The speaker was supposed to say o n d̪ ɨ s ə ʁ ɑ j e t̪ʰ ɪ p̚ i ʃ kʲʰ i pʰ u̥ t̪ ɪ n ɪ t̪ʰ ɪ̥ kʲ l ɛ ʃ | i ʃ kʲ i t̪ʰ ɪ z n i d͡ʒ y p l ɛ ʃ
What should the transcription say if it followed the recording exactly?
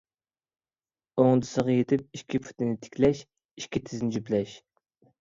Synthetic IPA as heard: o ŋ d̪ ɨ s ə ʁ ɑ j e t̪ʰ ɪ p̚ i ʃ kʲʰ i pʰ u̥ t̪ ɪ n ɪ t̪ʰ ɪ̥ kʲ l ɛ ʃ | i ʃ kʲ i t̪ʰ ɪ z n ɪ d͡ʒ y p l ɛ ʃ